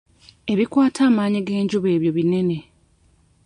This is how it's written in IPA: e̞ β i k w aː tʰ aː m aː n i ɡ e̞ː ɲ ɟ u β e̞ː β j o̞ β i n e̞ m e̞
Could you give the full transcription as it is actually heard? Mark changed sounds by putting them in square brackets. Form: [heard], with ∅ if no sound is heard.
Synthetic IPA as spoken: e̞ β i k w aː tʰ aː m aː [ɲ] i ɡ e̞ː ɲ ɟ u β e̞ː β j o̞ β i n e̞ [n] e̞